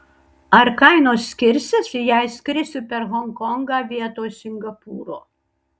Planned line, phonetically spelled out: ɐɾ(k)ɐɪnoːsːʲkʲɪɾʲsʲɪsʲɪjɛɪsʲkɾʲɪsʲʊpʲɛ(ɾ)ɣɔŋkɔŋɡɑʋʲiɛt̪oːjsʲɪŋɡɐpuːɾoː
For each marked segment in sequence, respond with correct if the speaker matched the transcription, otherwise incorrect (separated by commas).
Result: correct, correct